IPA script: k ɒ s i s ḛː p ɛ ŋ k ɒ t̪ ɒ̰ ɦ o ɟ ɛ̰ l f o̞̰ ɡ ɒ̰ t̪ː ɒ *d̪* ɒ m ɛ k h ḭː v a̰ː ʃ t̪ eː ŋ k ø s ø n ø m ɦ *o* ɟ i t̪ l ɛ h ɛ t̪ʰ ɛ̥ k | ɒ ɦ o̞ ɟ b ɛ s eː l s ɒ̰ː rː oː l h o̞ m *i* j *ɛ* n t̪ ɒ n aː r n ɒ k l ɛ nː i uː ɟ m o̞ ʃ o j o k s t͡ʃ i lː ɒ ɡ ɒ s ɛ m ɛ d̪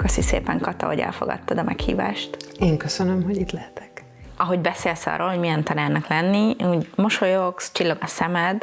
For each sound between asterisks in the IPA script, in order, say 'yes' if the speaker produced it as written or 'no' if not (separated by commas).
yes, yes, yes, yes